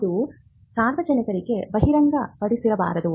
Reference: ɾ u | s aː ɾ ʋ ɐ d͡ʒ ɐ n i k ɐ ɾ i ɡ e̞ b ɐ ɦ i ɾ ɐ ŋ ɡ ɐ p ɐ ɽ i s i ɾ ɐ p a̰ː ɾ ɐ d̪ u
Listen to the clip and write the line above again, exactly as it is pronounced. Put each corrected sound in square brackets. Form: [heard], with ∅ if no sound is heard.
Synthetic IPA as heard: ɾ u | s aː ɾ ʋ ɐ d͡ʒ ɐ n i k ɐ ɾ i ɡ e̞ b ɐ ɦ i ɾ ɐ ŋ ɡ ɐ p ɐ ɽ i s i ɾ ɐ [b] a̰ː ɾ ɐ d̪ u

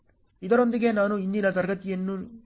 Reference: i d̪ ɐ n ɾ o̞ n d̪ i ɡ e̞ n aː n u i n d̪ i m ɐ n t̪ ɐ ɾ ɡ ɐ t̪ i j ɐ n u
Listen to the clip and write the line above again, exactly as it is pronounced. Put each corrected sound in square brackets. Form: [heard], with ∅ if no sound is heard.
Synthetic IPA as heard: i d̪ ɐ [∅] ɾ o̞ n d̪ i ɡ e̞ n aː n u i n d̪ i [n] ɐ [∅] t̪ ɐ ɾ ɡ ɐ t̪ i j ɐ [nː] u

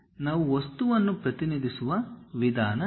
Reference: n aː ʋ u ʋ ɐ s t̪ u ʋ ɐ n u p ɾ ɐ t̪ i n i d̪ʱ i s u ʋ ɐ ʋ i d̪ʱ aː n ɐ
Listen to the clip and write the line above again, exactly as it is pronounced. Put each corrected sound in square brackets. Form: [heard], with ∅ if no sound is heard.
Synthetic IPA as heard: n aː ʋ u ʋ ɐ s t̪ u ʋ ɐ [nː] u p ɾ ɐ t̪ i n i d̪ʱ i s u ʋ ɐ ʋ i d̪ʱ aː n ɐ

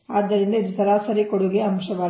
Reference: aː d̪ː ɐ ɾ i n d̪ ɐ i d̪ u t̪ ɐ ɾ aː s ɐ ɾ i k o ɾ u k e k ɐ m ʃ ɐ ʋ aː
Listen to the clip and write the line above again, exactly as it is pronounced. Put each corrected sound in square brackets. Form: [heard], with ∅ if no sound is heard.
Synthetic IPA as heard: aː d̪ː ɐ ɾ i n d̪ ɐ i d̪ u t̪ ɐ ɾ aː s ɐ ɾ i k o [ɽ] u [ɡ] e [∅] ɐ m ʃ ɐ ʋ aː

